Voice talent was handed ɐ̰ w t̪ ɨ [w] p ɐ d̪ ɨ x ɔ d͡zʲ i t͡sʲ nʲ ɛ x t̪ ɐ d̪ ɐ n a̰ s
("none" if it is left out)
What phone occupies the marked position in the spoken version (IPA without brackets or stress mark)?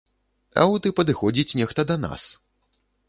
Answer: none